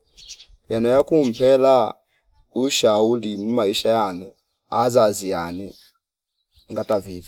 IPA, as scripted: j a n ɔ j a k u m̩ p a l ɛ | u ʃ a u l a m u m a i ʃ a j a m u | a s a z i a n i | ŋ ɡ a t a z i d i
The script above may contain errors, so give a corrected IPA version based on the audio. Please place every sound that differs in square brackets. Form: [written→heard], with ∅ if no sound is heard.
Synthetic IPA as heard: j a n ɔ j a k u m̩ p [a→ɛ] l [ɛ→a] | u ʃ a u l [a→i] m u m a i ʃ a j a [m→n] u | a [s→z] a z i a n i | ŋ ɡ a t a [z→v] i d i

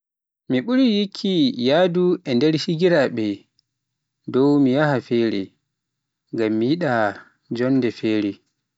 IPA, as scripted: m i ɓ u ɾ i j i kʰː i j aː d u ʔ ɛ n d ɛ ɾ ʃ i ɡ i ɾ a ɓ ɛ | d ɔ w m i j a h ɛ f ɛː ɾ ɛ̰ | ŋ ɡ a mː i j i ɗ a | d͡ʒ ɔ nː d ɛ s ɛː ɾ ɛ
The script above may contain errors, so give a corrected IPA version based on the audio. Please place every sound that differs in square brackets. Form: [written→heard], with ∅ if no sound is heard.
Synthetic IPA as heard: m i ɓ u ɾ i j i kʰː i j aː d u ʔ ɛ n d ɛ ɾ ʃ i ɡ i ɾ a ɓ ɛ | d ɔ w m i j a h [ɛ→a] f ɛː ɾ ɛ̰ | ŋ ɡ a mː i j i ɗ a | d͡ʒ ɔ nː d ɛ [s→f] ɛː ɾ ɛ

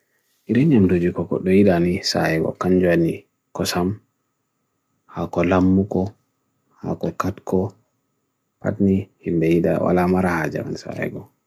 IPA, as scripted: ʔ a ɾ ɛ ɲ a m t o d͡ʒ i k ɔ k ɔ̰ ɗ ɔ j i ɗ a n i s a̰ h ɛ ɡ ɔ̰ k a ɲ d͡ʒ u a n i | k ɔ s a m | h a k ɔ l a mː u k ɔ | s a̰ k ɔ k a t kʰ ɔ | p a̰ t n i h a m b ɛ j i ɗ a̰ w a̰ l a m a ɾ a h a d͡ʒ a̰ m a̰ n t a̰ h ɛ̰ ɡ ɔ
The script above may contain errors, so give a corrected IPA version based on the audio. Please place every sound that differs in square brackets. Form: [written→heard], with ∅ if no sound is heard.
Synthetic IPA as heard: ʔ [a→i] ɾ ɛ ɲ a m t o d͡ʒ i k ɔ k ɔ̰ ɗ ɔ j i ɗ a n i s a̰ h ɛ ɡ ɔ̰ k a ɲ d͡ʒ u a n i | k ɔ s a m | h a k ɔ l a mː u k ɔ | [s→h] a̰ k ɔ k a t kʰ ɔ | p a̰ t n i h [a→i] m b ɛ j i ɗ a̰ w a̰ l a m a ɾ a h a d͡ʒ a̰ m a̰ n [t→s] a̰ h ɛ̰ ɡ ɔ

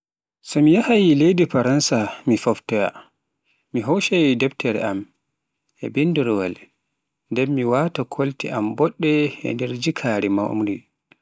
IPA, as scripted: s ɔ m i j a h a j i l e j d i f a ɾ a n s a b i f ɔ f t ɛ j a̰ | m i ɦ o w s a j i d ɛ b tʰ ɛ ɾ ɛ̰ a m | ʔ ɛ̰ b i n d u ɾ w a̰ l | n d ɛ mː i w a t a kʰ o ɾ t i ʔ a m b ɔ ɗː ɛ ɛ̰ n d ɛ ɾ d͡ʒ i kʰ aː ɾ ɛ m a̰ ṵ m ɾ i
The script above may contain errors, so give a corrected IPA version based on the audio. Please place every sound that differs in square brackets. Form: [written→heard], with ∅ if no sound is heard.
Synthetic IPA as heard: s ɔ m i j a h a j i l e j d i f a ɾ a n s a [b→m] i f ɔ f t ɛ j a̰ | m i ɦ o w [s→ʃ] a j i d ɛ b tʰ ɛ ɾ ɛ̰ a m | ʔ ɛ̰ b i n d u ɾ w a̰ l | n d ɛ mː i w a t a kʰ o [ɾ→l] t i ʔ a m b ɔ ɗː ɛ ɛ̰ n d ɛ ɾ d͡ʒ i kʰ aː ɾ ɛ m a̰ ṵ m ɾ i

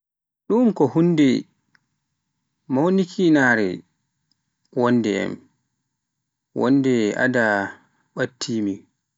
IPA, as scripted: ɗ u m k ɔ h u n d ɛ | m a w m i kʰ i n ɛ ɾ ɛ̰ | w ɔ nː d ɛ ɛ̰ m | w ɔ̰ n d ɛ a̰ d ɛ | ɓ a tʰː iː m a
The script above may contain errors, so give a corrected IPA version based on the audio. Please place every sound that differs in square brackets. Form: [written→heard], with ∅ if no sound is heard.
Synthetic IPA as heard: ɗ u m k ɔ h u n d ɛ | m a w [m→n] i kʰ i n [ɛ→a] ɾ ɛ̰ | w ɔ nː d ɛ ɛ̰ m | w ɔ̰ n d ɛ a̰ d [ɛ→a] | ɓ a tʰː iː m [a→i]

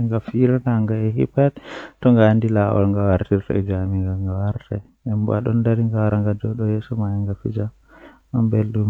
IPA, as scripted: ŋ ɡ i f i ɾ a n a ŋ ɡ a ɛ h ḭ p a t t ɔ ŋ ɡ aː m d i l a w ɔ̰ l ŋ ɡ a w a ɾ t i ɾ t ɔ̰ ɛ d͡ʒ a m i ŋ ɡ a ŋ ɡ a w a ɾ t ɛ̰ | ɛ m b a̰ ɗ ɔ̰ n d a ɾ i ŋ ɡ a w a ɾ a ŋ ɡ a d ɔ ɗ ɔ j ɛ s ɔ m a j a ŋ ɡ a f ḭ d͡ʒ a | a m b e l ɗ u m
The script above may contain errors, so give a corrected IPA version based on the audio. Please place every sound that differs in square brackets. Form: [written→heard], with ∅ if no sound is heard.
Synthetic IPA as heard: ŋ ɡ [i→a] f i ɾ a n a ŋ ɡ a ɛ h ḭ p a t t ɔ ŋ ɡ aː [m→n] d i l a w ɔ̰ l ŋ ɡ a w a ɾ t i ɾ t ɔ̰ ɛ d͡ʒ a m i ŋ ɡ a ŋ ɡ a w a ɾ t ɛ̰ | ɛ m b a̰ ɗ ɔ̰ n d a ɾ i ŋ ɡ a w a ɾ a ŋ ɡ a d ɔ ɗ ɔ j ɛ s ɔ m a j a ŋ ɡ a f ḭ d͡ʒ a | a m b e l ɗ u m

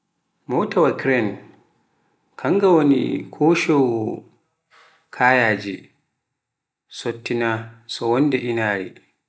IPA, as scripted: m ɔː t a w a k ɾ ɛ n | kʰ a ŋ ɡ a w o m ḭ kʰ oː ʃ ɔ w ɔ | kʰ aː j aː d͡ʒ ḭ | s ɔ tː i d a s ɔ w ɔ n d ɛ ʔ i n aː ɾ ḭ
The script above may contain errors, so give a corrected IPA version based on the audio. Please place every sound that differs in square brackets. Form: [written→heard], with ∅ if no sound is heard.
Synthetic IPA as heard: m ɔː t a w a k ɾ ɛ n | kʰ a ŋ ɡ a w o [m→n] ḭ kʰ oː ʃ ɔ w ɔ | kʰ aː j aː d͡ʒ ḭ | s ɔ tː i [d→n] a s ɔ w ɔ n d ɛ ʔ i n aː ɾ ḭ

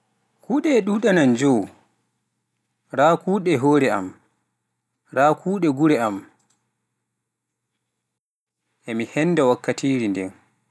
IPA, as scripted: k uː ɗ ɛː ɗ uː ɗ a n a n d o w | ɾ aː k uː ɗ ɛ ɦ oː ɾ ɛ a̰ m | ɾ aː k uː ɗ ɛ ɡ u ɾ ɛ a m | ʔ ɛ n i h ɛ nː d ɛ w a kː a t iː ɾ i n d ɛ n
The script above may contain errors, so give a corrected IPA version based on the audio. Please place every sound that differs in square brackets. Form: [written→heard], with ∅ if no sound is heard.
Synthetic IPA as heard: k uː ɗ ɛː ɗ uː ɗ a n a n [d→d͡ʒ] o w | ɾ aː k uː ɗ ɛ ɦ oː ɾ ɛ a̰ m | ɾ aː k uː ɗ ɛ ɡ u ɾ ɛ a m | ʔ ɛ [n→m] i h ɛ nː d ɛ w a kː a t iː ɾ i n d ɛ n

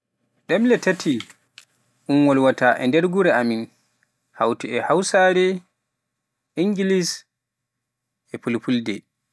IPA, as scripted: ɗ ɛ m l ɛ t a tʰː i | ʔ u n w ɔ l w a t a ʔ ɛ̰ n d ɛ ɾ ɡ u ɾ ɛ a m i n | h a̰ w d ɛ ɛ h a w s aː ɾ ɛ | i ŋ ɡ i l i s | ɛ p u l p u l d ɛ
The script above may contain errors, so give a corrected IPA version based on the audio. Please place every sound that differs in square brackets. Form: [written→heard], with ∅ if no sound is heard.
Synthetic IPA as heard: ɗ ɛ m l ɛ t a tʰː i | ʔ u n w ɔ l w a t a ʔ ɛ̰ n d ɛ ɾ ɡ u ɾ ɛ a m i n | h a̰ w [d→t] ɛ ɛ h a w s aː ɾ ɛ | i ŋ ɡ i l i s | ɛ p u l p u l d ɛ

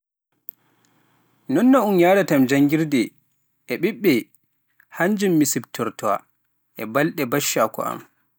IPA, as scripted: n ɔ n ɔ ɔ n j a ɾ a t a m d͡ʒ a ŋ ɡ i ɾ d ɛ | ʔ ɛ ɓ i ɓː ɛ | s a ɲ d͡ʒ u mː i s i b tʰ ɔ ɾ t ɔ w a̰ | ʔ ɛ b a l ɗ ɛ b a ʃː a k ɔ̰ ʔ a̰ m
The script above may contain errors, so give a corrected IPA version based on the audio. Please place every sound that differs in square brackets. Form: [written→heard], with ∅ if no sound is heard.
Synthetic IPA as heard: n ɔ [n→nː] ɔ [ɔ→u] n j a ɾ a t a m d͡ʒ a ŋ ɡ i ɾ d ɛ | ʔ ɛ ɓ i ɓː ɛ | [s→h] a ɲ d͡ʒ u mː i s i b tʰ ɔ ɾ t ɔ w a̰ | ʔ ɛ b a l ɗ ɛ b a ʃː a k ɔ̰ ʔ a̰ m

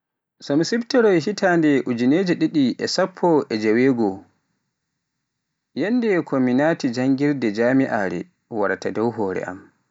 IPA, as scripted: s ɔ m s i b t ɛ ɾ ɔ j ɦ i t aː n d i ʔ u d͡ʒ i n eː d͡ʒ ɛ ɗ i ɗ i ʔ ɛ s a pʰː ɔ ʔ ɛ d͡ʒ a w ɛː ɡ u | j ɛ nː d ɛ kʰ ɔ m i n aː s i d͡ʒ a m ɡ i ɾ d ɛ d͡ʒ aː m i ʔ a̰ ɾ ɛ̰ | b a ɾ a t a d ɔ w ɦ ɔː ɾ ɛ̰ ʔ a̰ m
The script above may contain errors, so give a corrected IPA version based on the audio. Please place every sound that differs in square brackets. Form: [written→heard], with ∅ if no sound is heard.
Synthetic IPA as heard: s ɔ m s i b t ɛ ɾ ɔ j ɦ i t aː n d [i→ɛ] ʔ u d͡ʒ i n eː d͡ʒ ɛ ɗ i ɗ i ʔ ɛ s a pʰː ɔ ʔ ɛ d͡ʒ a w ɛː ɡ [u→ɔ] | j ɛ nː d ɛ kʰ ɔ m i n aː [s→t] i d͡ʒ a [m→ŋ] ɡ i ɾ d ɛ d͡ʒ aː m i ʔ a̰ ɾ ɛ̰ | [b→w] a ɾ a t a d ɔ w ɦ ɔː ɾ ɛ̰ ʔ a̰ m

